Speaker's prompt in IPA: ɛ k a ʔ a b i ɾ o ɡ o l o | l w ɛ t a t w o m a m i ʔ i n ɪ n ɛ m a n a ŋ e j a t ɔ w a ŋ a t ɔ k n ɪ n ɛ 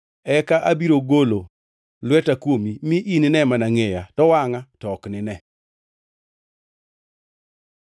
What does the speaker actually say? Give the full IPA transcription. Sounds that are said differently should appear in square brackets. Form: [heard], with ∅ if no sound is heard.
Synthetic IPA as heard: ɛ k a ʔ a b i ɾ o ɡ o l o | l w ɛ t a [k] w o m [i] m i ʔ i n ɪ n ɛ m a n a ŋ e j a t ɔ w a ŋ a t ɔ k n ɪ n ɛ